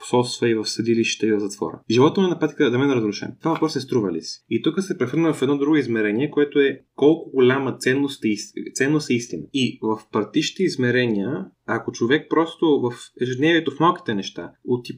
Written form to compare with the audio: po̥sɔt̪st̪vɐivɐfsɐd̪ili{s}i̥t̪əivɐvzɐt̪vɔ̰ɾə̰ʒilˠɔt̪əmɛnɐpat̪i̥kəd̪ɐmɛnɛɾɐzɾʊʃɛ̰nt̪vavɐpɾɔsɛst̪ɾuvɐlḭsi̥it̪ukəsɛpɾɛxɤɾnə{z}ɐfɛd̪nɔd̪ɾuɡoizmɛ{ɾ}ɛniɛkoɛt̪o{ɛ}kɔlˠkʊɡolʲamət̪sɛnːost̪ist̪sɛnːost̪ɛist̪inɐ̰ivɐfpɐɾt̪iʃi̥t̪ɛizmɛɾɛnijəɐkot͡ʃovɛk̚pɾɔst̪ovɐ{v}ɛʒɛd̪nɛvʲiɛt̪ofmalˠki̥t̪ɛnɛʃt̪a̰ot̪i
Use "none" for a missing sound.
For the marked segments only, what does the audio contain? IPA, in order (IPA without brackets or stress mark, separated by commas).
ʃ, v, ɾ, ɛ, f